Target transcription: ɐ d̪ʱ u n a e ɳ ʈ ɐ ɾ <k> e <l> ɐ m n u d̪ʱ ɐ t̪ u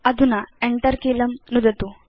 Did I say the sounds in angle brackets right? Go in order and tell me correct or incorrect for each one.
correct, correct

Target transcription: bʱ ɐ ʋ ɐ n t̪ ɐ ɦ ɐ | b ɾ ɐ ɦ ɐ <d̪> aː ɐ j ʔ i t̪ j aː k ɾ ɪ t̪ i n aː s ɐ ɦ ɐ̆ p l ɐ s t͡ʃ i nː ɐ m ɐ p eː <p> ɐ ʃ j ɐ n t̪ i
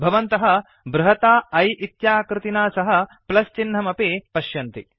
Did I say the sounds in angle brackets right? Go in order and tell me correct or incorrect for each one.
incorrect: t̪, correct

